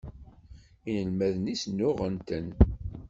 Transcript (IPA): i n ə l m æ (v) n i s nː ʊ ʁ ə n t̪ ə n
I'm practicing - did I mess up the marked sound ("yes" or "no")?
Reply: yes